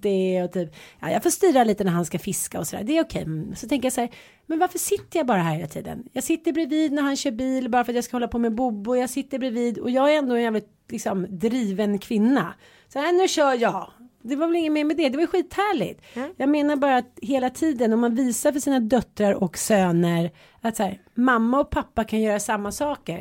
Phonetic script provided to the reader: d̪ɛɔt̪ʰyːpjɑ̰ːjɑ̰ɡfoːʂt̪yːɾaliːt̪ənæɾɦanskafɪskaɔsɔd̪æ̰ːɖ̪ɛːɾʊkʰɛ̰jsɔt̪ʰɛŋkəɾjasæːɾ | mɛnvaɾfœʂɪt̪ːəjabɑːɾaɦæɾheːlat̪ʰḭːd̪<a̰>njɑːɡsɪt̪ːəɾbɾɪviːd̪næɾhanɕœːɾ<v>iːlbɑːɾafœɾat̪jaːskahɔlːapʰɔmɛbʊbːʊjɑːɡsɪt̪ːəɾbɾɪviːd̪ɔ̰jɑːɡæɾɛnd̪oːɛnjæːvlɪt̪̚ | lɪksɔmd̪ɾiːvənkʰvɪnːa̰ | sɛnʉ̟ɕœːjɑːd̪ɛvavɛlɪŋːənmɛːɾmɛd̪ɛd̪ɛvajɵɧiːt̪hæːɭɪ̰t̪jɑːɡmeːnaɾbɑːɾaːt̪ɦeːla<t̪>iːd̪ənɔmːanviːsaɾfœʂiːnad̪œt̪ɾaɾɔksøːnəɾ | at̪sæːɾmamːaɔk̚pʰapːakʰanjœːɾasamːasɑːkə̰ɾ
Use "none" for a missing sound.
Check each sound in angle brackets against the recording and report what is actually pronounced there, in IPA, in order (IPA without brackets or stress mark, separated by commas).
ə̰, b, t̪ʰ